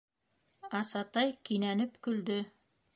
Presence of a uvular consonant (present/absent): absent